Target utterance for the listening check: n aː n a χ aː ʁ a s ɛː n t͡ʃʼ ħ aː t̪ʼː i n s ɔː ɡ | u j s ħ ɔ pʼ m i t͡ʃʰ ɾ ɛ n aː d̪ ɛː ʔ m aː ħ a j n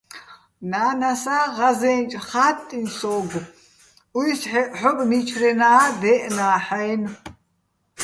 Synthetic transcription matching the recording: n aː n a s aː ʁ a z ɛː n t͡ʃʼ χ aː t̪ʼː i n s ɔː ɡ | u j s ħ ɔ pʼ m i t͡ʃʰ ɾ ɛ n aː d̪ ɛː ʔ n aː ħ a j n

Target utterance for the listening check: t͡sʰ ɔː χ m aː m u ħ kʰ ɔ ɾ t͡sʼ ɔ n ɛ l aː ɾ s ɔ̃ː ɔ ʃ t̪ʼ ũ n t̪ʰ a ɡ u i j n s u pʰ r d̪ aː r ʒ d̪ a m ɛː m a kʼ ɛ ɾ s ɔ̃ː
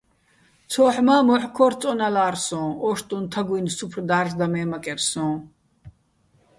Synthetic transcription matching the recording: t͡sʰ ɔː ħ m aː m ɔ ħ kʰ ɔ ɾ t͡sʼ ɔ n a l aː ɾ s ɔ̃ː ɔ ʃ t̪ʼ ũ n t̪ʰ a ɡ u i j n s u pʰ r d̪ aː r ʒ d̪ a m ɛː m a kʼ ɛ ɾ s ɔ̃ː

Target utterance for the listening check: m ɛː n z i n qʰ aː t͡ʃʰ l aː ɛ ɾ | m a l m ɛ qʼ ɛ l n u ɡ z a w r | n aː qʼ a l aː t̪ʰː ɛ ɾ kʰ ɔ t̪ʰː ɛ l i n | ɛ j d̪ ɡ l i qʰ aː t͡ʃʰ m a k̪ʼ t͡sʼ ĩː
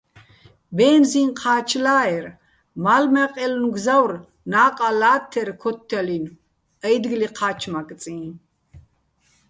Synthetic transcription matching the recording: b ɛː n z i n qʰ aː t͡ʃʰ l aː ɛ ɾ | m a l m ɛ qʼ ɛ l n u ɡ z a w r | n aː qʼ a l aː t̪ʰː ɛ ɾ kʰ ɔ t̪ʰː ɛ l i n | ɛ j d̪ ɡ l i qʰ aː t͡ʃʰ m a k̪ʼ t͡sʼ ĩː

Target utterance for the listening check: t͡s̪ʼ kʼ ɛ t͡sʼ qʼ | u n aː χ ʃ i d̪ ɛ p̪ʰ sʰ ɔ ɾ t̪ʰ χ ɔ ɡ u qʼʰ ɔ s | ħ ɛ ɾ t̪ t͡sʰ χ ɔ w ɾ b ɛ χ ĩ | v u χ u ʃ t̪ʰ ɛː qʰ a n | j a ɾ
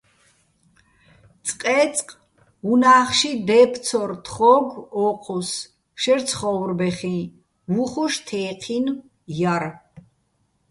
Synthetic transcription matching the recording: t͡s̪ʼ qʼ ɛ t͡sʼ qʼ | u n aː χ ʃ i d̪ ɛ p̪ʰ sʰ ɔ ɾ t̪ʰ χ ɔ ɡ ɔ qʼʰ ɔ s | ʃ ɛ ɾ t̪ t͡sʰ χ ɔ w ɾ b ɛ χ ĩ | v u χ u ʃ t̪ʰ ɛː qʰ i n | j a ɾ

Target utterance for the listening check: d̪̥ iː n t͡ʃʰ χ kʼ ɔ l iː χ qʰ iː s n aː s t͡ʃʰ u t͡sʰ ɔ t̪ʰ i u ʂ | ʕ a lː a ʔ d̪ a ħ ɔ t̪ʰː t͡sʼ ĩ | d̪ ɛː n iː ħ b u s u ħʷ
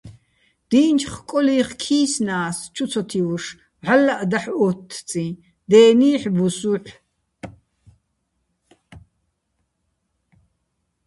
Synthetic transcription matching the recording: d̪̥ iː n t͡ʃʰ χ kʼ ɔ l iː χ kʰ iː s n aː s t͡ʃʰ u t͡sʰ ɔ t̪ʰ i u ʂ | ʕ a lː a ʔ d̪ a ħ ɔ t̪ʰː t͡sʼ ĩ | d̪ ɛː n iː ħ b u s u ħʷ

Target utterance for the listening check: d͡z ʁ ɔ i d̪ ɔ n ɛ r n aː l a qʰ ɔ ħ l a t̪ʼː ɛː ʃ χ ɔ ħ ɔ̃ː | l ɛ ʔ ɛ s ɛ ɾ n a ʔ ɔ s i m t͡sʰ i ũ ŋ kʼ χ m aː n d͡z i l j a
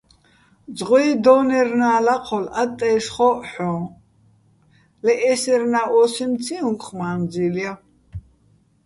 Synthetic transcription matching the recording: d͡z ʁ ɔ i d̪ ɔ n ɛ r n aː l a qʰ ɔ l a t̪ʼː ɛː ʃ χ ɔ ħ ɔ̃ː | l ɛ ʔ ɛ s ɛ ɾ n a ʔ ɔ s i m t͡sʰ i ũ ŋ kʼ χ m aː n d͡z i l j a

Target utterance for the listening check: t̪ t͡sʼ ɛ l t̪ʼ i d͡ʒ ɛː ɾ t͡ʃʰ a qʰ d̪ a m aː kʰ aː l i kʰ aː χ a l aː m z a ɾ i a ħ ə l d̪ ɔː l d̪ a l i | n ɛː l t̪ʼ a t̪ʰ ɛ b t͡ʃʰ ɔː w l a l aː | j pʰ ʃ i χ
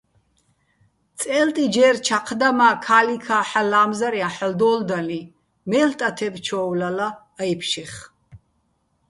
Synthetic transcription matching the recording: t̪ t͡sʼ ɛ l t̪ʼ i d͡ʒ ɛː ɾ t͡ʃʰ a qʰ d̪ a m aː kʰ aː l i kʰ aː ħ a l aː m z a ɾ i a ħ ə l d̪ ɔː l d̪ a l i | m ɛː l t̪ʼ a t̪ʰ ɛ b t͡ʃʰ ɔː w l a l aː | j pʰ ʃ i χ

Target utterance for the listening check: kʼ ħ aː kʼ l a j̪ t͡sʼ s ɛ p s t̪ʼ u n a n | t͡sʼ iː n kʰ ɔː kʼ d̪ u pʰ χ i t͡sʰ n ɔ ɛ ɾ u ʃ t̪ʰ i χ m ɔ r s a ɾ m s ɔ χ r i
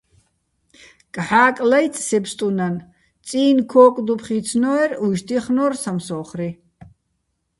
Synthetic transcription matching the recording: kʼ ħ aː kʼ l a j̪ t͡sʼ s ɛ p s t̪ʼ u n a n | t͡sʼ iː n kʰ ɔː kʼ d̪ u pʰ χ i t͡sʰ n ɔ ɛ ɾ u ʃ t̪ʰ i χ n ɔ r s a m s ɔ χ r i

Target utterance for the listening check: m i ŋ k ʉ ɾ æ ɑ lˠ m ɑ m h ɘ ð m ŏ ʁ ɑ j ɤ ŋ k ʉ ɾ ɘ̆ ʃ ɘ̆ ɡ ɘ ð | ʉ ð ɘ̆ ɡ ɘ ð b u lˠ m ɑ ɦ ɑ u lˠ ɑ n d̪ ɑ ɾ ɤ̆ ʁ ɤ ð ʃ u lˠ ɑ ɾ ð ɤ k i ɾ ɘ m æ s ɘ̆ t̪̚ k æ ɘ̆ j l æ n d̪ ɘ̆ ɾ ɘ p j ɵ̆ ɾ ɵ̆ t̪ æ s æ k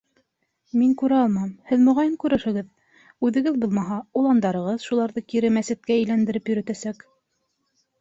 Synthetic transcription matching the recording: m i ŋ k ʉ ɾ æ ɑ lˠ m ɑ m h ɘ ð m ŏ ʁ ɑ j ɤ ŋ k ʉ ɾ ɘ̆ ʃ ɘ̆ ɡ ɘ ð | ʉ ð ɘ̆ ɡ ɘ ð b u lˠ m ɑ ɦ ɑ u lˠ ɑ n d̪ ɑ ɾ ɤ̆ ʁ ɤ ð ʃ u lˠ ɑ ɾ ð ɤ k i ɾ ɘ m æ s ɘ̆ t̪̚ k æ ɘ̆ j l æ n d̪ ɘ̆ ɾ ɘ p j ɵ̆ ɾ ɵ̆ t̪ æ s æ k

